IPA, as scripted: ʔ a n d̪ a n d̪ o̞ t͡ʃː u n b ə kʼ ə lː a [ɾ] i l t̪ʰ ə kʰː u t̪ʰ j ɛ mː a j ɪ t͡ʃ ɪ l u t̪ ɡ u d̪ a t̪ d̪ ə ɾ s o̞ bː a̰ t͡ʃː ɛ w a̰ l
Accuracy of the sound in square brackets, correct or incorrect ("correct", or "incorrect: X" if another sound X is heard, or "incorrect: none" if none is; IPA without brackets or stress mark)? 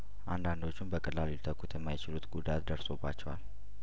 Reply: incorrect: l